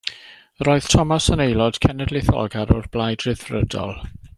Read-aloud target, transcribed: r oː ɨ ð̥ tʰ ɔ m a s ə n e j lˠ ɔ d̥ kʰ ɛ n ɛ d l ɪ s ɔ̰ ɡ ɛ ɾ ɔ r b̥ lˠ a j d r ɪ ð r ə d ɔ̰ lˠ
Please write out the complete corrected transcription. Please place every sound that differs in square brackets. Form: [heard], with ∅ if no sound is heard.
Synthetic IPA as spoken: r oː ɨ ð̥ tʰ ɔ m a s ə n e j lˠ ɔ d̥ kʰ ɛ n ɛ d l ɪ [θ] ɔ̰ ɡ [a] ɾ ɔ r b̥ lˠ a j d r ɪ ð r ə d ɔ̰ lˠ

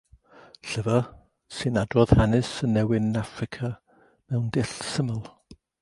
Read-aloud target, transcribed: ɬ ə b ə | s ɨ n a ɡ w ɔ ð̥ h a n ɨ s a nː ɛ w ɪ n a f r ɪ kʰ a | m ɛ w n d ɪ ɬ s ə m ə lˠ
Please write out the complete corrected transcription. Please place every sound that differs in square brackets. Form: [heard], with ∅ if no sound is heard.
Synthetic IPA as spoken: ɬ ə [v] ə | s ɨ n a [d] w ɔ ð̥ h a n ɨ s [ə] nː ɛ w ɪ n a f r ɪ kʰ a | m ɛ w n d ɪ ɬ s ə m ə lˠ

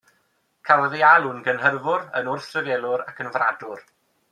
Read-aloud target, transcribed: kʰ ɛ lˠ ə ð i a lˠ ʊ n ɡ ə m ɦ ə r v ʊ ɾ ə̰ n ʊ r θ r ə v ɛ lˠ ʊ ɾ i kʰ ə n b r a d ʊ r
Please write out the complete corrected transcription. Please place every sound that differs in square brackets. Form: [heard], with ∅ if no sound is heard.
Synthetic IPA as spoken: kʰ [a] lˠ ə ð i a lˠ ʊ n ɡ ə [n] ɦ ə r v ʊ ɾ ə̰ n ʊ r θ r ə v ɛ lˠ ʊ ɾ [a] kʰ ə n [v] r a d ʊ r

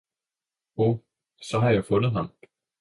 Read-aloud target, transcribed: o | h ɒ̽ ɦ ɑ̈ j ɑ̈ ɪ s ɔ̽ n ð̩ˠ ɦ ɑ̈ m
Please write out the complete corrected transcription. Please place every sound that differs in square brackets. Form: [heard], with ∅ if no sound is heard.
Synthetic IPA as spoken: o | [s] ɒ̽ ɦ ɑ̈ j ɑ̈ ɪ [f] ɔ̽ n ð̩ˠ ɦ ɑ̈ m

